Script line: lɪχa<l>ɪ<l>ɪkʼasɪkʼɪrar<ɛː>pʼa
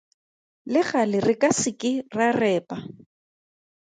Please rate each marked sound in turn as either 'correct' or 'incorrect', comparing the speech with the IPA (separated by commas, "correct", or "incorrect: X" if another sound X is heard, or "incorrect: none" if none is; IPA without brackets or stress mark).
correct, incorrect: r, correct